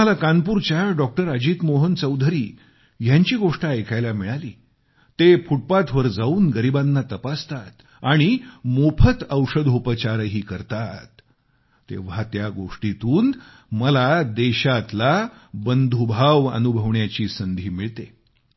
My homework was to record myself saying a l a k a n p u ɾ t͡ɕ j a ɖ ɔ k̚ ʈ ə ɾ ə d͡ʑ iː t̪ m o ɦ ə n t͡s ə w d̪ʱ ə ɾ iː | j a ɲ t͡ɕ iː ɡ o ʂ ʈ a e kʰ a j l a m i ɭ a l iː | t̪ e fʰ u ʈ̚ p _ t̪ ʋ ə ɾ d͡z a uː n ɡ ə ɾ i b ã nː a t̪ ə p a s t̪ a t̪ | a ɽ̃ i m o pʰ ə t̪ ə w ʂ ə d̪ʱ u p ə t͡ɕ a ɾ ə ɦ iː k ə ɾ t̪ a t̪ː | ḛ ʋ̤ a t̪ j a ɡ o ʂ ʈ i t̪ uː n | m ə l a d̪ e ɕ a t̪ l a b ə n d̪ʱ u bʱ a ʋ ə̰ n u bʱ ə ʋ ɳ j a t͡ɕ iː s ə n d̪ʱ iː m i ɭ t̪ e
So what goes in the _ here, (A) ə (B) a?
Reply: B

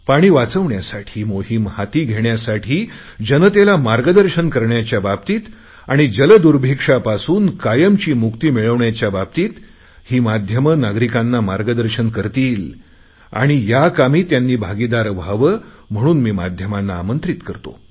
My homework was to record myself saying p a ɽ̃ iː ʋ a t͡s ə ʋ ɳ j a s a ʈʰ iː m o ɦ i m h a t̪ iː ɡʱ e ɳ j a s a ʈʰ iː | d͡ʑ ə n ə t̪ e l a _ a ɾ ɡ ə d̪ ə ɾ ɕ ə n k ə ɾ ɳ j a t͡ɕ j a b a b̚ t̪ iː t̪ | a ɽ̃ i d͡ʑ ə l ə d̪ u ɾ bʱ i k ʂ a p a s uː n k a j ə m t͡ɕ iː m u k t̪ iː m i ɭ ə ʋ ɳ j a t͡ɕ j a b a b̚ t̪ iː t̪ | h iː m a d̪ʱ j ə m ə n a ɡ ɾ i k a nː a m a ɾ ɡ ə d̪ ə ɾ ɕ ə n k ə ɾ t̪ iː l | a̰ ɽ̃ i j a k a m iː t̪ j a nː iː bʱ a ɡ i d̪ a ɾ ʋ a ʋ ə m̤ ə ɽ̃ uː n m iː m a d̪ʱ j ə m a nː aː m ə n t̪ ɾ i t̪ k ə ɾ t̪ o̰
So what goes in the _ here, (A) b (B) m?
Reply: B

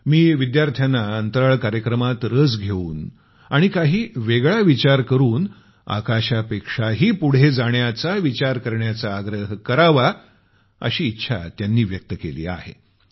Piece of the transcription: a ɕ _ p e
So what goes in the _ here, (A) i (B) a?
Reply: B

